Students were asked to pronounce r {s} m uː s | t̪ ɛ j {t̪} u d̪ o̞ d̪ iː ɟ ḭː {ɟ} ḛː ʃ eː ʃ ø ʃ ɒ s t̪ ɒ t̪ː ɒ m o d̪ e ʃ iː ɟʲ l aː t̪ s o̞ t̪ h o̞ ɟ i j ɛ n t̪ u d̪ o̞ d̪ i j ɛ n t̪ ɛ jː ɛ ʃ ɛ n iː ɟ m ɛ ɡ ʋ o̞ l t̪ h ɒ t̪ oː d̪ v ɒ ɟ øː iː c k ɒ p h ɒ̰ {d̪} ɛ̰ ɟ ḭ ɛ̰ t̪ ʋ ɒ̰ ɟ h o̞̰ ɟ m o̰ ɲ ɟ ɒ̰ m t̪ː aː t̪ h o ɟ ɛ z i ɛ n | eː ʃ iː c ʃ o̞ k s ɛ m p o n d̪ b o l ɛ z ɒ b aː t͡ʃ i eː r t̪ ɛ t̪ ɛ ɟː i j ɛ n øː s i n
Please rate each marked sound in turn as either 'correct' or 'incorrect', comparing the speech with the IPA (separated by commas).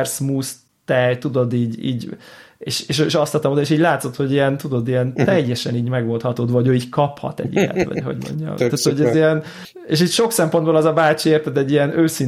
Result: correct, correct, correct, incorrect